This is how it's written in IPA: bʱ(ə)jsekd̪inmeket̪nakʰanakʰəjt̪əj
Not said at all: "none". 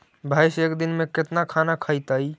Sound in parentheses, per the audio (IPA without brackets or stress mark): a